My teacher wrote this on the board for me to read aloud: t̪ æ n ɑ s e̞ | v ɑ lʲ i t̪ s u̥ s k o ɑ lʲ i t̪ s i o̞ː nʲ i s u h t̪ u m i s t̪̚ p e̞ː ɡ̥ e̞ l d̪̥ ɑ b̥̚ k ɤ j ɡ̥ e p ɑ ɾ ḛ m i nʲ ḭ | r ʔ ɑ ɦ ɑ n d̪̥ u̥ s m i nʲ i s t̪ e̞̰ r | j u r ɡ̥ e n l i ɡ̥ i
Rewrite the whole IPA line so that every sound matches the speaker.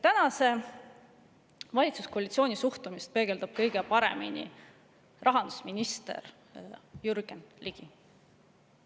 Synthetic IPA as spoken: t̪ æ n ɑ s e̞ | v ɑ lʲ i t̪ s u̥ s k o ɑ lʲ i t̪ s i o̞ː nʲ i s u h t̪ u m i s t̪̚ p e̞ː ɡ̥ e̞ l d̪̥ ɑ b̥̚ k ɤ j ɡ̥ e p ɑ ɾ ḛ m i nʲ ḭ | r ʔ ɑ ɦ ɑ n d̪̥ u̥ s m i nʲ i s t̪ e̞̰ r | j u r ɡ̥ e n l i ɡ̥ i